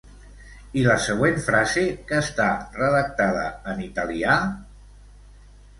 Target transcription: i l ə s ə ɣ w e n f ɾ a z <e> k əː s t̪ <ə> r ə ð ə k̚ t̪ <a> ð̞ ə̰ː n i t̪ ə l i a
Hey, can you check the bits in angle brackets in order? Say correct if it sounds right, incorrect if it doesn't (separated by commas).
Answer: correct, incorrect, correct